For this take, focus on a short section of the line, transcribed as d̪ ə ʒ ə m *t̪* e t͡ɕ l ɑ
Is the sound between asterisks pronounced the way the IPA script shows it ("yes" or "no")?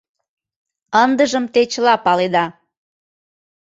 yes